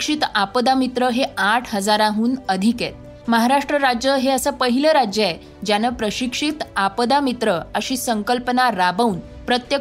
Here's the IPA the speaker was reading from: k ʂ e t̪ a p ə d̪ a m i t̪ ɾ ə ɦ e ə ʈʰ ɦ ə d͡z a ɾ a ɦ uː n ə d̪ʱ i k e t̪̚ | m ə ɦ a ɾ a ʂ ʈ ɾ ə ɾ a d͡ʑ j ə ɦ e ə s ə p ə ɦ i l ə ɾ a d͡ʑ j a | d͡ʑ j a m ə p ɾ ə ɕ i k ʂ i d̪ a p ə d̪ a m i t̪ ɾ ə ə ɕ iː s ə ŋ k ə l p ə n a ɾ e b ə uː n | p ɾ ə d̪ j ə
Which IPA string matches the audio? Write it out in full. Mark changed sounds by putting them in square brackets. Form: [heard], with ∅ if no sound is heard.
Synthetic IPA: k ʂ [i] t̪ a p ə d̪ a m i t̪ ɾ ə ɦ e [a] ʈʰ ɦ ə d͡z a ɾ a ɦ uː n ə d̪ʱ i k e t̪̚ | m ə ɦ a ɾ a ʂ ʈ ɾ ə ɾ a d͡ʑ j ə ɦ e ə s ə p ə ɦ i l ə ɾ a d͡ʑ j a | d͡ʑ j a [n] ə p ɾ ə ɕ i k ʂ i [t̪] a p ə d̪ a m i t̪ ɾ ə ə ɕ iː s ə ŋ k ə l p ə n a ɾ [a] b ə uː n | p ɾ ə [t̪] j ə